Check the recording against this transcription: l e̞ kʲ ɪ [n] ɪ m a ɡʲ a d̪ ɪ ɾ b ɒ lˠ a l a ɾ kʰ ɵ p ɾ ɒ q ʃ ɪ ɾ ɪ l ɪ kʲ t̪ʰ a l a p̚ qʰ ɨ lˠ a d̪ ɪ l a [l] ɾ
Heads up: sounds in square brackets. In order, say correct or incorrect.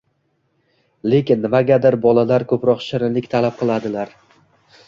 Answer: incorrect: nː, incorrect: none

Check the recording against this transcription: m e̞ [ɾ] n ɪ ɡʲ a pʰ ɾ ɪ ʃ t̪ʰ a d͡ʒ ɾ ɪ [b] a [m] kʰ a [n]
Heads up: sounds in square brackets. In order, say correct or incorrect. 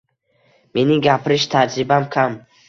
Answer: incorrect: none, correct, correct, incorrect: m

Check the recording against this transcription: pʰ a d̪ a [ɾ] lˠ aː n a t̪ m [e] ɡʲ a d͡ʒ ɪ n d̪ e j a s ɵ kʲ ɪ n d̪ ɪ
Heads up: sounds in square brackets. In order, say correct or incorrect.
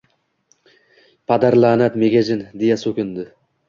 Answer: correct, correct

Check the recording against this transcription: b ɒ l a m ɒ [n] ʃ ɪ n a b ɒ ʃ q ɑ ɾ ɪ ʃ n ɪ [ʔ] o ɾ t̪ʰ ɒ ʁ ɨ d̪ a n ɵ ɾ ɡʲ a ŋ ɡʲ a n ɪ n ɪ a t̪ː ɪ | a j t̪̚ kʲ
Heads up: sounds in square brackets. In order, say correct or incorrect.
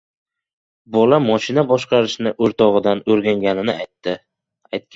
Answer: incorrect: none, correct

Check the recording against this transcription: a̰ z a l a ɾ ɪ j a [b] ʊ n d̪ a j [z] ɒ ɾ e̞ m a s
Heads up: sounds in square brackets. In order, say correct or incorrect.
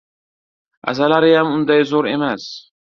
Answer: incorrect: m, correct

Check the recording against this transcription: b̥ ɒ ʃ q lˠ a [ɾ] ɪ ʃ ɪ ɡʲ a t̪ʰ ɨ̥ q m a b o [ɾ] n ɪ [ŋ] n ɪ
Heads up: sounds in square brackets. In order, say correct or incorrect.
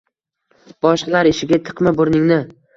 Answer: correct, correct, correct

